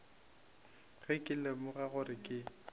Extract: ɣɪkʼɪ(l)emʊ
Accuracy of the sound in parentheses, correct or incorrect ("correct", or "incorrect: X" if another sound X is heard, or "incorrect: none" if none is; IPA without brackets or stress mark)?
correct